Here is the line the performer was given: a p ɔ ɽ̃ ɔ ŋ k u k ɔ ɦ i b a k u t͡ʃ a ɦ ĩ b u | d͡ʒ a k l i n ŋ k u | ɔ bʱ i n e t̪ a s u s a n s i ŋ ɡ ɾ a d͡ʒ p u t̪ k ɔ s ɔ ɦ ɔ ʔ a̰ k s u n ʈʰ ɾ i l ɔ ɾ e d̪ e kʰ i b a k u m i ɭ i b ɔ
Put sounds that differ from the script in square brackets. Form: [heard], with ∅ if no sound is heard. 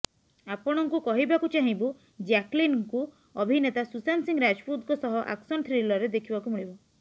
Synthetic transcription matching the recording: a p ɔ ɽ̃ ɔ ŋ k u k ɔ ɦ i b a k u t͡ʃ a ɦ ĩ b u | d͡ʒ a k l i n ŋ k u | ɔ bʱ i n e t̪ a s u s a n s i ŋ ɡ ɾ a d͡ʒ p u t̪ k ɔ s ɔ ɦ ɔ ʔ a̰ k s [ɔ] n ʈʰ ɾ i l ɔ ɾ e d̪ e kʰ i b a k u m i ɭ i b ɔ